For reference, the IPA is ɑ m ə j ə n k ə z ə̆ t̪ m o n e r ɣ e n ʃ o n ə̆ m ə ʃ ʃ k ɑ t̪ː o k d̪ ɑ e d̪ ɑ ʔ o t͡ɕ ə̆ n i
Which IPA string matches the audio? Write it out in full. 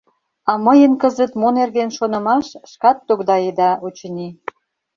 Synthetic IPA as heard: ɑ m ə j ə n k ə z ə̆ t̪ m o n e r ɣ e n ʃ o n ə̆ m ɑ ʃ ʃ k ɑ t̪ː o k d̪ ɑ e d̪ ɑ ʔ o t͡ɕ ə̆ n i